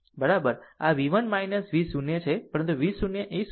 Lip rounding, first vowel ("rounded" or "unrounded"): unrounded